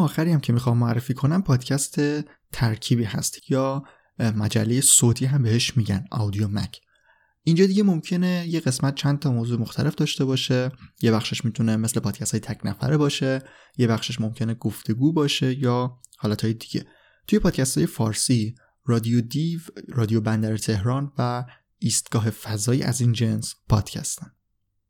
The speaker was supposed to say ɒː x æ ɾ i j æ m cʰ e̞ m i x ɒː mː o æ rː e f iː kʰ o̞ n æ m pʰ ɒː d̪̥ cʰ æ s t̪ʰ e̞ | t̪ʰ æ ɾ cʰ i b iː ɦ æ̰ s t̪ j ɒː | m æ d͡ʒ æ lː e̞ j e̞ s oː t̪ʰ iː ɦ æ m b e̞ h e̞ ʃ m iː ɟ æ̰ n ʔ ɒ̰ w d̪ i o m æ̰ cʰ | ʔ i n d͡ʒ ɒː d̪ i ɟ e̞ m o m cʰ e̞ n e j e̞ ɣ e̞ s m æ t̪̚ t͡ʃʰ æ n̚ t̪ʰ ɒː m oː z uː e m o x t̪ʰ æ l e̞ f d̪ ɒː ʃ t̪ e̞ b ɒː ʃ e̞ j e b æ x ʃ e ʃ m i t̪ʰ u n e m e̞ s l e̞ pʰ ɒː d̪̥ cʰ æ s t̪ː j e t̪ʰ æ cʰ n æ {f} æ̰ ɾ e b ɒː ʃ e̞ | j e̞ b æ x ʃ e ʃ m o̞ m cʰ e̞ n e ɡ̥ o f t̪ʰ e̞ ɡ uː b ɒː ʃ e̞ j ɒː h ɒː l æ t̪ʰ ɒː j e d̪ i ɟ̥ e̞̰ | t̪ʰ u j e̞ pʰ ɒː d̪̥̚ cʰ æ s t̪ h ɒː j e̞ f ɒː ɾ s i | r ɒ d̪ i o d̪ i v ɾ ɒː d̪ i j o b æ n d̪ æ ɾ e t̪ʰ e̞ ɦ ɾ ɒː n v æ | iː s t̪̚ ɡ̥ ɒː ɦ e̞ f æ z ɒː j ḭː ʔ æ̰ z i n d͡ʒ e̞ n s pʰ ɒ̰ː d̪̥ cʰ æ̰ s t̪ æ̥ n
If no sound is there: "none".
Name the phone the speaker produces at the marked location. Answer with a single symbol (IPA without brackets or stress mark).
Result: f